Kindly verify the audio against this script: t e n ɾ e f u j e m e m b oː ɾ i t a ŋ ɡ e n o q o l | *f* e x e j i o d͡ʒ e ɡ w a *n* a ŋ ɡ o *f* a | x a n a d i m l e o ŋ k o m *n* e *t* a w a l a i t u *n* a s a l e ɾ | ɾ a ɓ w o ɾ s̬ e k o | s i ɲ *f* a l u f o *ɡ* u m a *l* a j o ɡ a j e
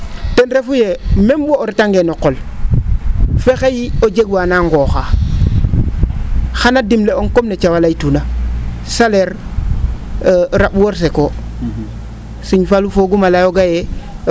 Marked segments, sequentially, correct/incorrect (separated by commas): correct, correct, incorrect, correct, incorrect, correct, correct, correct, correct